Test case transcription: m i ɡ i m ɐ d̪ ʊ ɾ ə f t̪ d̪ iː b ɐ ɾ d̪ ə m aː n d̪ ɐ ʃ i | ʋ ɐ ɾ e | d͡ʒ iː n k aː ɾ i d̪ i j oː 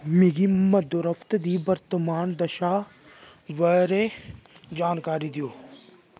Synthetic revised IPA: m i ɡ i m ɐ d̪ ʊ ɾ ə f t̪ d̪ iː b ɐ ɾ t̪ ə m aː n d̪ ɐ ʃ a | ʋ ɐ ɾ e | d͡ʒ aː n k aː ɾ i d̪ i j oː